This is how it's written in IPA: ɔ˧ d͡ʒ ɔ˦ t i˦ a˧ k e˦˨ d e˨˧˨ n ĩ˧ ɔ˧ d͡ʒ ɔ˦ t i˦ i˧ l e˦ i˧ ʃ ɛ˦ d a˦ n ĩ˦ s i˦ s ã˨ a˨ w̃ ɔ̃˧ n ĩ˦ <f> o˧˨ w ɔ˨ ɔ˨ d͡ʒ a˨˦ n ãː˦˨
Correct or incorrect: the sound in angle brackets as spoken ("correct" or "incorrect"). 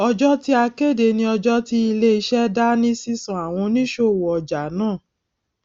incorrect